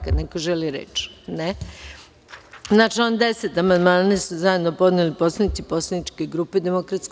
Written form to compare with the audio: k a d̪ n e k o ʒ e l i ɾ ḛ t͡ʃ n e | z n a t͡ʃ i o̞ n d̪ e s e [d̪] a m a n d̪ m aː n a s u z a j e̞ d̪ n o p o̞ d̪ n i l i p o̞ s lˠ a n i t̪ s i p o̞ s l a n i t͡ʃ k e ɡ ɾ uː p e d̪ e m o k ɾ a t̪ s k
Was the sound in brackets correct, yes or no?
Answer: no